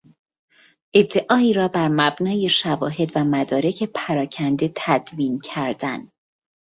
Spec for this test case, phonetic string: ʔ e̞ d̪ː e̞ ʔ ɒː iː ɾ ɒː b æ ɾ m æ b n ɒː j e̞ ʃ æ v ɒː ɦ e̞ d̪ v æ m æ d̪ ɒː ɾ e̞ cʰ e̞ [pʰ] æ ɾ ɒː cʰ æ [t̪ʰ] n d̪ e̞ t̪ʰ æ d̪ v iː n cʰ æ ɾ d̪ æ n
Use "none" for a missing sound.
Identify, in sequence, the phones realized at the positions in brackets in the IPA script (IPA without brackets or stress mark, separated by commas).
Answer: pʰ, none